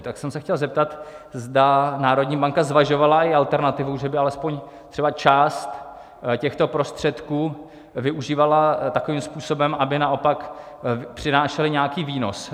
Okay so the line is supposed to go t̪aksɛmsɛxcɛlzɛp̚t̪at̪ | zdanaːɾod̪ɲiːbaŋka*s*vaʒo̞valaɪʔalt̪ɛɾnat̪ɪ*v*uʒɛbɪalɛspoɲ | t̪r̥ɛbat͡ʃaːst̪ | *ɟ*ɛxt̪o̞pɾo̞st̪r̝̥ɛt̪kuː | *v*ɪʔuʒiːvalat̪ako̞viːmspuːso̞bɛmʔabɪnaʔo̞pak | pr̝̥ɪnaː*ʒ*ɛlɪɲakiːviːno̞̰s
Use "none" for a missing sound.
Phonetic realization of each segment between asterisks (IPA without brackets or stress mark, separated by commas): z, v, c, v, ʃ